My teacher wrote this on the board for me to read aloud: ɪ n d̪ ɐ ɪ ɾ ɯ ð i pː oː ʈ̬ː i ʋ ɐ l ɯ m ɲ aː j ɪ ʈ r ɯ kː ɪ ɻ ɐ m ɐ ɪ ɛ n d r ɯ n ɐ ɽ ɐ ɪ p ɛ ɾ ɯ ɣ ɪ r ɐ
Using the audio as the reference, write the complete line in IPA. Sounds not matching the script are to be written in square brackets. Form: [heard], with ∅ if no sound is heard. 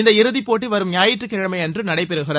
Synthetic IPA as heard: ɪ n d̪ ɐ ɪ ɾ ɯ ð i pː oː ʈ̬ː i ʋ ɐ [ɾ] ɯ m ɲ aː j ɪ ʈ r ɯ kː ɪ ɻ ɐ m ɐ ɪ ɛ n d r ɯ n ɐ ɽ ɐ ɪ p ɛ ɾ ɯ ɣ ɪ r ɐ

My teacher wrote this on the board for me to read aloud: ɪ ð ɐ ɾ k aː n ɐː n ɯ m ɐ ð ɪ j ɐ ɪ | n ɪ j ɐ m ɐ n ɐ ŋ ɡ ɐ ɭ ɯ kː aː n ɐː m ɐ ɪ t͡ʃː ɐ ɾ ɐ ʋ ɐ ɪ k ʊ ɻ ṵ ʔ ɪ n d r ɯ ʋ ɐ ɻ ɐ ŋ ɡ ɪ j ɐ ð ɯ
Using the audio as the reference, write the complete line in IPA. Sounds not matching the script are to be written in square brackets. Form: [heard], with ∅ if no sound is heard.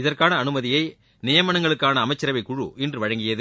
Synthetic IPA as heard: ɪ ð ɐ [r] k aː n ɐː n ɯ m ɐ ð ɪ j ɐ ɪ | n ɪ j ɐ m ɐ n ɐ ŋ ɡ ɐ ɭ ɯ kː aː n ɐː m ɐ ɪ t͡ʃː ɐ ɾ ɐ ʋ ɐ ɪ k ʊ ɻ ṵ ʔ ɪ n d r ɯ ʋ ɐ ɻ ɐ ŋ ɡ ɪ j ɐ ð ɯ

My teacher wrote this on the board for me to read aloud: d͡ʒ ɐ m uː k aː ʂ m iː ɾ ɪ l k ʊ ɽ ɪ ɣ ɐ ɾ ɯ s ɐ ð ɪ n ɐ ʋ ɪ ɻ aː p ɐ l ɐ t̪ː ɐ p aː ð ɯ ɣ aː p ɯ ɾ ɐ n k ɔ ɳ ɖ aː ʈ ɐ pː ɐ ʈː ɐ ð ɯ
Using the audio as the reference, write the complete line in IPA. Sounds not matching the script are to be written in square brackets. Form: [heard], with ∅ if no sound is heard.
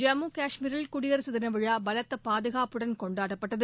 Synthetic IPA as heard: d͡ʒ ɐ m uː k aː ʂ m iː ɾ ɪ l k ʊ ɽ ɪ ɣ ɐ ɾ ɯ s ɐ ð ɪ n ɐ ʋ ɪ ɻ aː [b] ɐ l ɐ t̪ː ɐ p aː ð ɯ ɣ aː p ɯ [ɽ] ɐ n k ɔ ɳ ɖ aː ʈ ɐ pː ɐ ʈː ɐ ð ɯ

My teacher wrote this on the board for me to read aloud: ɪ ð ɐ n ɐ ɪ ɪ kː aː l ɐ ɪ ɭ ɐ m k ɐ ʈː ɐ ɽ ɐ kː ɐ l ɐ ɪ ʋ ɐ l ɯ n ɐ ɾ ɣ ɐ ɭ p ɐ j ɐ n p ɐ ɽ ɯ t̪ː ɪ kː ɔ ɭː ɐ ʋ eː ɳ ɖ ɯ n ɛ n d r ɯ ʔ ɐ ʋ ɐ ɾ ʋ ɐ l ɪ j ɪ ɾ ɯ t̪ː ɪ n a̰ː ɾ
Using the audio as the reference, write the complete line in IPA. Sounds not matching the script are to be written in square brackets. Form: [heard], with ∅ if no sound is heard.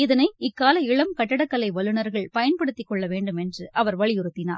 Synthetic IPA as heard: ɪ ð ɐ n ɐ ɪ ɪ kː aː l ɐ ɪ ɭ ɐ m k ɐ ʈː ɐ ɽ ɐ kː ɐ l ɐ ɪ ʋ ɐ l ɯ n ɐ ɾ ɣ ɐ ɭ p ɐ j ɐ n p ɐ ɽ ɯ t̪ː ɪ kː ɔ ɭː ɐ ʋ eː ɳ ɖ ɯ [m] ɛ n d r ɯ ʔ ɐ ʋ ɐ ɾ ʋ ɐ [ɭ] ɪ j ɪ ɾ ɯ t̪ː ɪ n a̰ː ɾ

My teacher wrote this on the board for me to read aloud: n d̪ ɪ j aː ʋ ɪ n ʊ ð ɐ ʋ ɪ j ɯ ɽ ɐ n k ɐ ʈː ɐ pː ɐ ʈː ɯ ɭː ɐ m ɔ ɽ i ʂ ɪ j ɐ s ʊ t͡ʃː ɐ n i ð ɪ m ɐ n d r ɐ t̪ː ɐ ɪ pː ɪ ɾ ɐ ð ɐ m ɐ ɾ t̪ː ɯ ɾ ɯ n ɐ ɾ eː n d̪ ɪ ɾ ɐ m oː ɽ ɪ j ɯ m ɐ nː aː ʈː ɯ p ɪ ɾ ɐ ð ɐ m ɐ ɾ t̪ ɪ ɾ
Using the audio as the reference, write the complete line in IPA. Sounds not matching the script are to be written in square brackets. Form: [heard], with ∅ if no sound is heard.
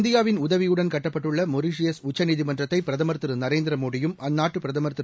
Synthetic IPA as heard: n d̪ ɪ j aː ʋ ɪ n ʊ ð ɐ ʋ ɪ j ɯ ɽ ɐ n k ɐ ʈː ɐ pː ɐ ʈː ɯ ɭː ɐ m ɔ [ɾ] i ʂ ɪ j ɐ s ʊ t͡ʃː ɐ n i ð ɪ m ɐ n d r ɐ t̪ː ɐ ɪ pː ɪ ɾ ɐ ð ɐ m ɐ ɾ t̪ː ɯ ɾ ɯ n ɐ ɾ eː n d̪ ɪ ɾ ɐ m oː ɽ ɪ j ɯ m ɐ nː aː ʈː ɯ p ɪ ɾ ɐ ð ɐ m ɐ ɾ t̪ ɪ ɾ

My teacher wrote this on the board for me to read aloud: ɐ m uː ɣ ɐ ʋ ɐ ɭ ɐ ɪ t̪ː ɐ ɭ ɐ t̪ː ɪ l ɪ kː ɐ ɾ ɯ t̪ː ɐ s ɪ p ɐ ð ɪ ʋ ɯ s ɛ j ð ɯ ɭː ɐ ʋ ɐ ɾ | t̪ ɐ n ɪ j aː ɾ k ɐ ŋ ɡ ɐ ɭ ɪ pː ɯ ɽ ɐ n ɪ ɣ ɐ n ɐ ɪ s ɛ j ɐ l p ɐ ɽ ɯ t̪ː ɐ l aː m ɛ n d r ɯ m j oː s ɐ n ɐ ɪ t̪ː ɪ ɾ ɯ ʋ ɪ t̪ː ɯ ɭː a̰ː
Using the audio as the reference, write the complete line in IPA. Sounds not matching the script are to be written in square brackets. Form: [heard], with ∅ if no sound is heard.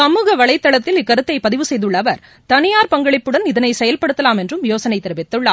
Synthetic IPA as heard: ɐ m uː ɣ ɐ ʋ ɐ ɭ ɐ ɪ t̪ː ɐ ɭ ɐ t̪ː ɪ l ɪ kː ɐ ɾ ɯ t̪ː ɐ [∅] ɪ p ɐ ð ɪ ʋ ɯ s ɛ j ð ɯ ɭː ɐ ʋ ɐ ɾ | t̪ ɐ n ɪ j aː ɾ [p] ɐ ŋ ɡ ɐ ɭ ɪ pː ɯ ɽ ɐ n ɪ [ð] ɐ n ɐ ɪ s ɛ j ɐ l p ɐ ɽ ɯ t̪ː ɐ l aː m ɛ n d r ɯ m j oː s ɐ n ɐ ɪ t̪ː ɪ ɾ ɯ ʋ ɪ t̪ː ɯ ɭː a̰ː

